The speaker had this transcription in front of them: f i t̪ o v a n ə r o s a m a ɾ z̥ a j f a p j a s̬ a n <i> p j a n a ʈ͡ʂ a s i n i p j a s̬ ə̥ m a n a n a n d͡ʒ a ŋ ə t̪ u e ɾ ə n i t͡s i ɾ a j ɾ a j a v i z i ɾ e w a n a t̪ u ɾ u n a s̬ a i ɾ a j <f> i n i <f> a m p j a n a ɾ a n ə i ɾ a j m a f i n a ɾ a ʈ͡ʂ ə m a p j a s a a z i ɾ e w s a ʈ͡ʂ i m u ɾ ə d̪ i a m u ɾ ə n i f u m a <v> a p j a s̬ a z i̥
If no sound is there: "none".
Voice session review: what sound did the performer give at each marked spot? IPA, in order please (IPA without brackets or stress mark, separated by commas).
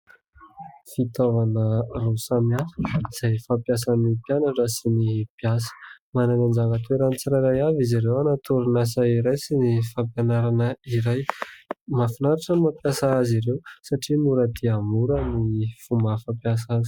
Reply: i, s, f, f